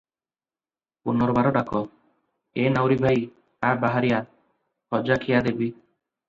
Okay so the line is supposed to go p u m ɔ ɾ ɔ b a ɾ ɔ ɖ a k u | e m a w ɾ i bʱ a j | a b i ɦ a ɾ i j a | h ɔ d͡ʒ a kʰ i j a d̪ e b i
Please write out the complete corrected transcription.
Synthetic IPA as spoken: p u n ɔ ɾ ɔ b a ɾ ɔ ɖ a k ɔ | e n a w ɾ i bʱ a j | a b a ɦ a ɾ i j a | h ɔ d͡ʒ a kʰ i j a d̪ e b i